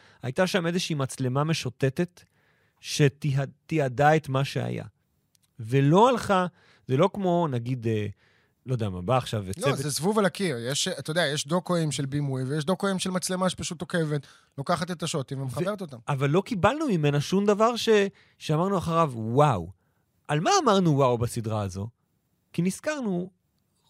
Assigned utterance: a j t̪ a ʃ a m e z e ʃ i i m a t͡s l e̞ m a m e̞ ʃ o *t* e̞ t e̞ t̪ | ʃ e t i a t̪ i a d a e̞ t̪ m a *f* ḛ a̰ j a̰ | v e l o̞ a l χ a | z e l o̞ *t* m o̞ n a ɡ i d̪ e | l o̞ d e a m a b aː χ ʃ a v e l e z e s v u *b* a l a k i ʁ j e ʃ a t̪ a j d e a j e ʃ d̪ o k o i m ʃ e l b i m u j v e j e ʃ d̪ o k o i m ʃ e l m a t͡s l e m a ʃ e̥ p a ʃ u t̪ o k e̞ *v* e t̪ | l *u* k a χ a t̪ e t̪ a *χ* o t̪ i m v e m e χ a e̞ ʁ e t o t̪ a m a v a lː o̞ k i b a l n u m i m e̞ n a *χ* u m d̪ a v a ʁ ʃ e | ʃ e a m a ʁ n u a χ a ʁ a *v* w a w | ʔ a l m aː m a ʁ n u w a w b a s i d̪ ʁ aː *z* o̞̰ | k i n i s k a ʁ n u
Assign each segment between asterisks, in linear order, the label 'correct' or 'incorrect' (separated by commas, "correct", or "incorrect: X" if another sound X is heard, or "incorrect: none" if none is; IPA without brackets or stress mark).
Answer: correct, incorrect: ʃ, incorrect: k, incorrect: v, correct, incorrect: o, incorrect: ʃ, incorrect: ʃ, correct, correct